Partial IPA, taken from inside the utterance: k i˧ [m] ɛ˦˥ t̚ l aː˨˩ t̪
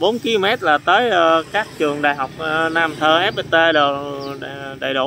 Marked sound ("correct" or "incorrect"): correct